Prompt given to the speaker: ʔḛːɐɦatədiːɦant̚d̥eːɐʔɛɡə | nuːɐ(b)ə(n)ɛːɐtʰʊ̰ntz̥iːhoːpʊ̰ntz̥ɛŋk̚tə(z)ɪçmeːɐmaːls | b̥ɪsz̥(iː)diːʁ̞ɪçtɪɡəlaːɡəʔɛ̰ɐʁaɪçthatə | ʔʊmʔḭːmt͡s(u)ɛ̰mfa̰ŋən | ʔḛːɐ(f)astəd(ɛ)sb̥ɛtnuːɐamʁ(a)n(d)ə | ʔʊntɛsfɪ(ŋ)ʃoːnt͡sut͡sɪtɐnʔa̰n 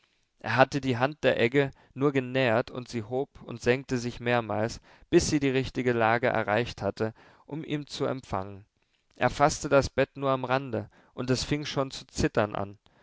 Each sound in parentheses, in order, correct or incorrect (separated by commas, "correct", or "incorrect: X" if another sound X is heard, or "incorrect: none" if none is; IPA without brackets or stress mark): incorrect: ɡ, correct, correct, correct, correct, correct, incorrect: a, correct, correct, correct